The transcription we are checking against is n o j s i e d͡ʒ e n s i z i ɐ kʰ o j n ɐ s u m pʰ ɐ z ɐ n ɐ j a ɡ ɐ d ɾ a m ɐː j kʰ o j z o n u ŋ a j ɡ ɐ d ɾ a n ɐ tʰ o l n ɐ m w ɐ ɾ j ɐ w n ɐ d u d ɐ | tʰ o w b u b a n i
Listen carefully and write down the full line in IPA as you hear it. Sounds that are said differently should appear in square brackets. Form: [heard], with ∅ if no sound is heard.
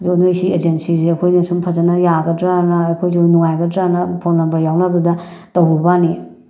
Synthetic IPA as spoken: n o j s i e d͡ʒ e n s i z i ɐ kʰ o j n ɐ s u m pʰ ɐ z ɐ n ɐ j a ɡ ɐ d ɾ a [n] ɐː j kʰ o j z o n u ŋ a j ɡ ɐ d ɾ a n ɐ [pʰ] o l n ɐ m [b] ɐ ɾ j [a] w n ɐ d u d ɐ | [t] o w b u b a n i